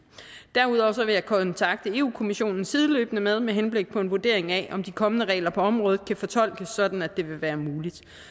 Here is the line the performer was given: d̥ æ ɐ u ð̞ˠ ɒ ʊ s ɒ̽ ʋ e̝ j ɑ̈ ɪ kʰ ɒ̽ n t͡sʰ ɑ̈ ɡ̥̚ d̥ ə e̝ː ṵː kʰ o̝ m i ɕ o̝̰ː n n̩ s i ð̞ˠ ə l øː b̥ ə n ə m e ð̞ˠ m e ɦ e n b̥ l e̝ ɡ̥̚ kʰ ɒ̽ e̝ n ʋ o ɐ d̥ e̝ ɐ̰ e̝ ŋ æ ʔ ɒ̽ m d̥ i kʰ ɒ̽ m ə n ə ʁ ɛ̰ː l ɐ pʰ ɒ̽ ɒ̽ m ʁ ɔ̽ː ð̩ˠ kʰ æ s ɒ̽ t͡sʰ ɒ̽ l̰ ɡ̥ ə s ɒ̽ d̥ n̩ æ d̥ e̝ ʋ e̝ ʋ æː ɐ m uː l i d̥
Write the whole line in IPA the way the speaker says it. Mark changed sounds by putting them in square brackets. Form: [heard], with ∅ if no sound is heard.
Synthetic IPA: d̥ æ ɐ u ð̞ˠ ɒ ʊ s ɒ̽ ʋ e̝ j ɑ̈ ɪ kʰ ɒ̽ n t͡sʰ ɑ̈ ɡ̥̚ d̥ ə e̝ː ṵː kʰ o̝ m i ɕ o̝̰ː n n̩ s i ð̞ˠ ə l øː b̥ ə n ə m e ð̞ˠ m e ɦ e n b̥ l e̝ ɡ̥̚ [pʰ] ɒ̽ e̝ n ʋ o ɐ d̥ e̝ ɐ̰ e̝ ŋ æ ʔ ɒ̽ m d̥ i kʰ ɒ̽ m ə n ə ʁ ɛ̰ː l ɐ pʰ ɒ̽ ɒ̽ m ʁ ɔ̽ː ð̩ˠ kʰ æ [f] ɒ̽ t͡sʰ ɒ̽ l̰ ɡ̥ ə s ɒ̽ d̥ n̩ æ d̥ e̝ ʋ e̝ ʋ æː ɐ m uː l i d̥